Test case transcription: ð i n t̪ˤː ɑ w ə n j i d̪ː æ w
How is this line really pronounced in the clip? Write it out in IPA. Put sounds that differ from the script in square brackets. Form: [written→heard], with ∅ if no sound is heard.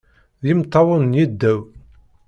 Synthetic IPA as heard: ð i [n→m] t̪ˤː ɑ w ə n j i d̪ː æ w

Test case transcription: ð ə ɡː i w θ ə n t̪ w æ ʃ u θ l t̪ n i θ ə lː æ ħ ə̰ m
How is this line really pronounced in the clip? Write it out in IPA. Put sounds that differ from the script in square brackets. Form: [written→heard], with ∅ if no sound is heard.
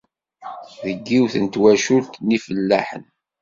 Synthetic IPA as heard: ð ə ɡː i w θ ə n t̪ w æ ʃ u [θ→∅] l t̪ n i [θ→f] ə lː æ ħ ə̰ [m→n]

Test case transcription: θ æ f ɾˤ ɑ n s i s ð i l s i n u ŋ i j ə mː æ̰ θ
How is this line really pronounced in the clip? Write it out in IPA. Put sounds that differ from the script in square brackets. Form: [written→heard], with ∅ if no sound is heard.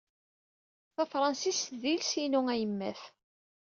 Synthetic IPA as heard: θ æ f ɾˤ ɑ n s i s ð i l s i n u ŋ [i→æ] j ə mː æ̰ θ

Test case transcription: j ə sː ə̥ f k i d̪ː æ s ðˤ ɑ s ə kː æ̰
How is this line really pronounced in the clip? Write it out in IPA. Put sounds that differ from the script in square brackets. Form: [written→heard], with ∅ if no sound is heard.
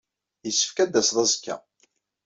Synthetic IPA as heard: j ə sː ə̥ f k [i→æ] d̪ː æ s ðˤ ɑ [s→z] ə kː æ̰

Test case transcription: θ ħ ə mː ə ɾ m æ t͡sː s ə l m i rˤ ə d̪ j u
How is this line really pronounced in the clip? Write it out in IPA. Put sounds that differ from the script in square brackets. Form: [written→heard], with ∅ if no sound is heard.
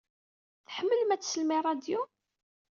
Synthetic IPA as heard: θ ħ ə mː ə [ɾ→l] m æ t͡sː s ə l m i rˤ [ə→ɑ] d̪ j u

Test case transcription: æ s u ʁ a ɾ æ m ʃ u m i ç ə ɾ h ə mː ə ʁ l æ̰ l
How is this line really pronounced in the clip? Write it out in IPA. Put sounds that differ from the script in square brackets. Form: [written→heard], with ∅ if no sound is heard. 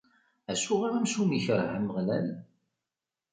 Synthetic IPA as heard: æ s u ʁ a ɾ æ m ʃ u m i ç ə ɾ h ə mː ə ʁ l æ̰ l

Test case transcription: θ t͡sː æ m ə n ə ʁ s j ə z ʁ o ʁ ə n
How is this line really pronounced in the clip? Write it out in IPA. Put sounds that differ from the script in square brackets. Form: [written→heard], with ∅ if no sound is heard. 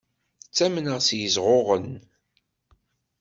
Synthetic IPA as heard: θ t͡sː æ m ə n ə ʁ s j ə z ʁ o ʁ ə n

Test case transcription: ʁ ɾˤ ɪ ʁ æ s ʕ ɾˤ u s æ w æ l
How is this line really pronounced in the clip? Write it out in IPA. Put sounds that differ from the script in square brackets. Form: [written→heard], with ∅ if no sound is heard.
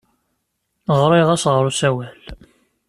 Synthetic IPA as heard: ʁ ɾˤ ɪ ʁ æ s [ʕ→ʁ] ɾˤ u s æ w æ l

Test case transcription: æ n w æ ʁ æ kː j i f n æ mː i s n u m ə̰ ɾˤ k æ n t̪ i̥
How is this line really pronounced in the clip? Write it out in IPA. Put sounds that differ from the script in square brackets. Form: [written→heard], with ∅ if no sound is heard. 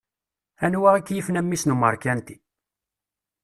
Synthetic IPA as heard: æ n w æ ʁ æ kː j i f n æ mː i s n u m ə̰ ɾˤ k æ n t̪ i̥

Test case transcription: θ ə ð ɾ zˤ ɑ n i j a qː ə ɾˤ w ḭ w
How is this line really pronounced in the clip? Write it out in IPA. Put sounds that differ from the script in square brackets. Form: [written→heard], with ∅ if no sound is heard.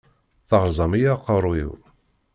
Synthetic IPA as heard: θ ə [ð→ʁ] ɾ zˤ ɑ [n→m] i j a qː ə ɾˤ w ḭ w

